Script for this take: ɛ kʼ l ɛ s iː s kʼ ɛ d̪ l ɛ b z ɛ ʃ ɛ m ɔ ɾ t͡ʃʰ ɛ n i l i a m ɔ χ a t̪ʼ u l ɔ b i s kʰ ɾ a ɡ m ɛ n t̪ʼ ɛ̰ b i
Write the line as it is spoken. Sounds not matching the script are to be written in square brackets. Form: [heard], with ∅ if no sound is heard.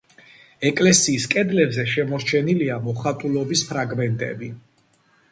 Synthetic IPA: ɛ kʼ l ɛ s iː s kʼ ɛ d̪ l ɛ b z ɛ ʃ ɛ m ɔ ɾ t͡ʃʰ ɛ n i l i a m ɔ χ a t̪ʼ u l ɔ b i s [pʰ] ɾ a ɡ m ɛ n t̪ʼ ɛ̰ b i